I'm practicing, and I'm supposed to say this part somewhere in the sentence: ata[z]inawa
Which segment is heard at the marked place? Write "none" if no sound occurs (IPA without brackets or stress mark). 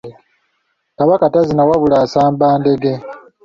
z